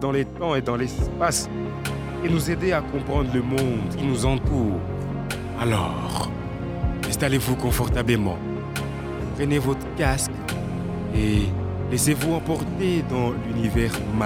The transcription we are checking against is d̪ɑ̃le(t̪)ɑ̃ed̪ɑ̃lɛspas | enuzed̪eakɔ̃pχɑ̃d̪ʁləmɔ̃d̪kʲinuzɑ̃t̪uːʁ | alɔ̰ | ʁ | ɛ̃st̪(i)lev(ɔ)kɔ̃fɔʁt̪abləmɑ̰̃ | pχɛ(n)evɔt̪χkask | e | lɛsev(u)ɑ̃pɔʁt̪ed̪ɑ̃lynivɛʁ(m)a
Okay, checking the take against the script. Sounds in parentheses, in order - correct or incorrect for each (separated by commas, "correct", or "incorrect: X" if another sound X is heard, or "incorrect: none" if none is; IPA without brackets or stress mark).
correct, incorrect: a, incorrect: u, correct, correct, correct